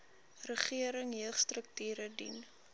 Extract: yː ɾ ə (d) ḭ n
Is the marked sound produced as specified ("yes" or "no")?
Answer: yes